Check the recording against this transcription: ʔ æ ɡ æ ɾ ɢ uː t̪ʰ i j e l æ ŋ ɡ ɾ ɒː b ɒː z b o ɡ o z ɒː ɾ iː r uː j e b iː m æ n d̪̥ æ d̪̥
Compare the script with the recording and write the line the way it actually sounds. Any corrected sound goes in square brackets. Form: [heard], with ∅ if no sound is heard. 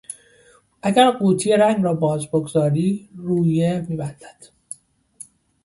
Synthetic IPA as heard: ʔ æ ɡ æ ɾ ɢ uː t̪ʰ i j e [ɾ] æ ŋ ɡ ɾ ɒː b ɒː z b o ɡ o z ɒː ɾ iː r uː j e [m] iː [b] æ n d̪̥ æ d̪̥